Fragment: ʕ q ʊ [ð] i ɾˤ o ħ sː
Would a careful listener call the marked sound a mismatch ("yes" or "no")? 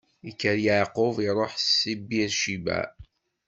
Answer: yes